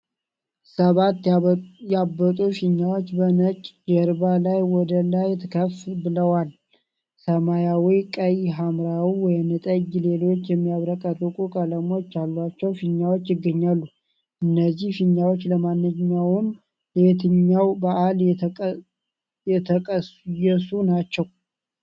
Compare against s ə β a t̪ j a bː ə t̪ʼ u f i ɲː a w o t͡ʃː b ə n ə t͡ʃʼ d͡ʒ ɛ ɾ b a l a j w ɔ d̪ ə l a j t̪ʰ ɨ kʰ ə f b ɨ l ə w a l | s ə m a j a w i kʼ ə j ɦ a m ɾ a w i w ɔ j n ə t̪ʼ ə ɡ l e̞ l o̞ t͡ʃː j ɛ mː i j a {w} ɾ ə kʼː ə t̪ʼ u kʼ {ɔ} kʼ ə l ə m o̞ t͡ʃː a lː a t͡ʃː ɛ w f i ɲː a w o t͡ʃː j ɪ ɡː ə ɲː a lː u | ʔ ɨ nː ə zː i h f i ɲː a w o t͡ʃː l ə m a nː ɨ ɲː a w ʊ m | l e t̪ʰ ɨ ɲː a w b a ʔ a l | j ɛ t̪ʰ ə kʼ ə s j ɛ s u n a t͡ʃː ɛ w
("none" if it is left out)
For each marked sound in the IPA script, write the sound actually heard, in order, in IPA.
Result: β, u

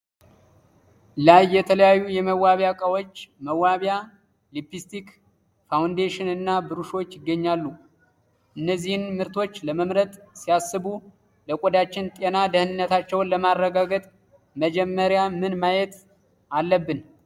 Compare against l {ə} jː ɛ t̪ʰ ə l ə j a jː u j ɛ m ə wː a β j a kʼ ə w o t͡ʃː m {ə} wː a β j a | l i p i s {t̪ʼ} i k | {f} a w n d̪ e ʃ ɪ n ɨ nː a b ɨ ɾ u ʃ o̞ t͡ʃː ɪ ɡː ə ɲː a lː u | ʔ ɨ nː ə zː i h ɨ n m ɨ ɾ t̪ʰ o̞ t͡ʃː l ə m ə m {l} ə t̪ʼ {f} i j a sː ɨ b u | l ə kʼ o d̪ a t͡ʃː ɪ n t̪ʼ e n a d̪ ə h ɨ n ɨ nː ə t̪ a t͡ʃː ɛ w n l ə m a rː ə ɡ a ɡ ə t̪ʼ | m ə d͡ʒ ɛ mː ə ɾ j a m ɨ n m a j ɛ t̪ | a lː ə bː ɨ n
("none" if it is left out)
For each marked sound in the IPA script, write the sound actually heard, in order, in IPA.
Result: a, ə, t̪, f, ɾ, s

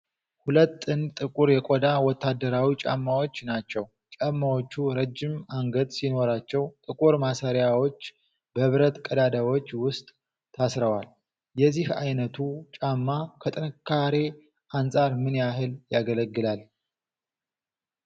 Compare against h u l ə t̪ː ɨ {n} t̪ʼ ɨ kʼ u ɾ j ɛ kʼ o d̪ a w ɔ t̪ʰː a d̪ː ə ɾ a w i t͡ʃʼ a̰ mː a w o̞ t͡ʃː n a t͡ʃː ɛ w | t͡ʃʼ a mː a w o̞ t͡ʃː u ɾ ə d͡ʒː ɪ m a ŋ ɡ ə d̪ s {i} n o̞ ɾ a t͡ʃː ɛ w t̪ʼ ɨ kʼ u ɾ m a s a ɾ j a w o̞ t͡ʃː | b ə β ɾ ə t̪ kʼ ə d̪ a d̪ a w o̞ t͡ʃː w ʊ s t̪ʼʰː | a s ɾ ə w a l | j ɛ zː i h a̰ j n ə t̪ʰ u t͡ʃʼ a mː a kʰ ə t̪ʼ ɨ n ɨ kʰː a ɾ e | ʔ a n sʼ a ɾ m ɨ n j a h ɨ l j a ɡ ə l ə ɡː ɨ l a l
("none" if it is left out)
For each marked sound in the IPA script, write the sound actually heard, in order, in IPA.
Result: n, i

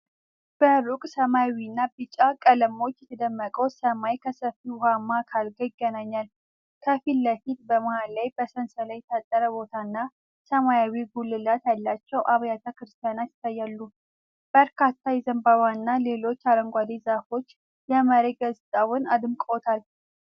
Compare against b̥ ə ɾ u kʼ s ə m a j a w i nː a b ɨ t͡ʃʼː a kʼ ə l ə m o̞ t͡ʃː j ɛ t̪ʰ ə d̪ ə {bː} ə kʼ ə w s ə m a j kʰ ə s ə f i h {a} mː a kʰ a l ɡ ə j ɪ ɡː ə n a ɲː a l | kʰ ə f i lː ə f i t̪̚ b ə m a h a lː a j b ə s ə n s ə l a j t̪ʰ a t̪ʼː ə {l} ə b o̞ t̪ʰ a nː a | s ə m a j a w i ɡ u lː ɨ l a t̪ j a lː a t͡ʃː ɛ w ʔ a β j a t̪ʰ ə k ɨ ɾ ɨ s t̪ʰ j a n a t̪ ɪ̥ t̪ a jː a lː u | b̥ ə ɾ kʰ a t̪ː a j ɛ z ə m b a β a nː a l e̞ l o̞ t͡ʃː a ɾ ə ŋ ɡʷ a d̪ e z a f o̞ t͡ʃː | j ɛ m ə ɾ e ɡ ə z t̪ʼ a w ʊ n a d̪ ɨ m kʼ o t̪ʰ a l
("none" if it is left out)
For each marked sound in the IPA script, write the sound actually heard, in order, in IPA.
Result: mː, a, ɾ

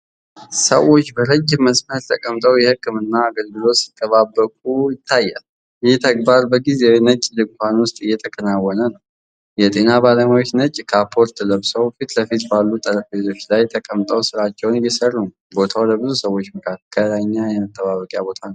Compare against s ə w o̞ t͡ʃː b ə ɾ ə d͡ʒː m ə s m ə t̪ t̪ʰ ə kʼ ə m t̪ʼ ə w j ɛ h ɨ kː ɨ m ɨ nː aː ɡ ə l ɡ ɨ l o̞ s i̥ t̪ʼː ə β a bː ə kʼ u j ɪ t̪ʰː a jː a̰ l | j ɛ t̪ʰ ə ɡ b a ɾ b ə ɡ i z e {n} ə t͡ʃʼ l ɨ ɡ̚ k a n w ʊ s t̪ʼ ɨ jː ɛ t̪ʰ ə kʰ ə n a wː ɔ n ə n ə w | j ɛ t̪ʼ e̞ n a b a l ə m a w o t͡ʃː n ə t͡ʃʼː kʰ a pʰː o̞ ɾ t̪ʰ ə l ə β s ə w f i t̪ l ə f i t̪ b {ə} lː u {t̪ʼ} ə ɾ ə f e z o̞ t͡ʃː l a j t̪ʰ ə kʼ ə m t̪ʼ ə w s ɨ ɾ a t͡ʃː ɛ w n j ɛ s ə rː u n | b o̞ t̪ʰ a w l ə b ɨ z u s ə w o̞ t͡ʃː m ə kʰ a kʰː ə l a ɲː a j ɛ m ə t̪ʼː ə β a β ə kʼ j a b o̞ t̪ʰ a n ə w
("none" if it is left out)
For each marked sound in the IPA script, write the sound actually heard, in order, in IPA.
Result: n, a, t̪ʼ

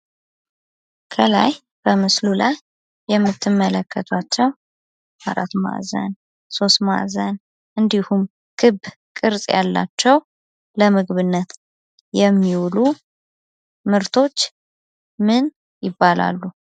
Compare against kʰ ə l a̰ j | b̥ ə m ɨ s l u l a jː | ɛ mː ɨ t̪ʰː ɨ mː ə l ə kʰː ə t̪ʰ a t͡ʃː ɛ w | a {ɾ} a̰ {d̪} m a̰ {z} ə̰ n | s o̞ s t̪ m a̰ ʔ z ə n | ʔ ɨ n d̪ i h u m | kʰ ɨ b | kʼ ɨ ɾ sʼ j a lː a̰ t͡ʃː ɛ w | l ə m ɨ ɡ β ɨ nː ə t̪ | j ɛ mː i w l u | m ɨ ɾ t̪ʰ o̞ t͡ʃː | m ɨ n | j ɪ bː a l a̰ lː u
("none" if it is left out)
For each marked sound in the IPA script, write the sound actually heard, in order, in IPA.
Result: ɾ, t̪, z

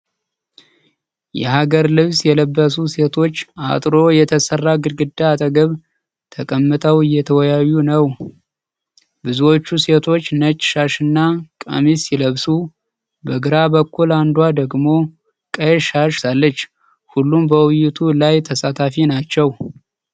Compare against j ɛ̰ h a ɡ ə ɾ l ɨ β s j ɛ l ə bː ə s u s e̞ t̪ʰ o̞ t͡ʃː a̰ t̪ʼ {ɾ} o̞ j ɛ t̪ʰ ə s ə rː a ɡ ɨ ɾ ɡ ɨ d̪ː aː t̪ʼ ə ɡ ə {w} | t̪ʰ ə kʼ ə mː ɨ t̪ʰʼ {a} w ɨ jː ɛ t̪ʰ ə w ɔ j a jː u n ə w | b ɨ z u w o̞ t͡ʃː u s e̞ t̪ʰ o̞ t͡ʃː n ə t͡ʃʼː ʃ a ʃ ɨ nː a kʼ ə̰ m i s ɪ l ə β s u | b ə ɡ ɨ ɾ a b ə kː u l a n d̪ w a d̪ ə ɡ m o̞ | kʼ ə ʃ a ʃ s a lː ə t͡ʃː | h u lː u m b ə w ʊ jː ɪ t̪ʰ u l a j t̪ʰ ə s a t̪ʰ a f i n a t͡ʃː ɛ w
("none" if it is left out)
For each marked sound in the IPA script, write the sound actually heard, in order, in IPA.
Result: ɾ, β, ə

